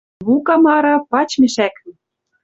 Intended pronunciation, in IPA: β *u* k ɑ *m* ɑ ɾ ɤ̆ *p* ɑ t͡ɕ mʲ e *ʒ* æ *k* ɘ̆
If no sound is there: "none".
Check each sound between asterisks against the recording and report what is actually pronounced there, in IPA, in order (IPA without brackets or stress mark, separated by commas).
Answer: u, m, p, ʃ, k